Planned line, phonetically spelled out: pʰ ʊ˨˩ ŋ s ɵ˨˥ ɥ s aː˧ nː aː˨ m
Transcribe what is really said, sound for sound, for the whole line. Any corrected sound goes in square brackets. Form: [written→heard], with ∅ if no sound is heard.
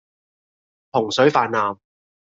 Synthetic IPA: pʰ ʊ˨˩ ŋ s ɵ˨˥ ɥ [s→f] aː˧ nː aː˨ m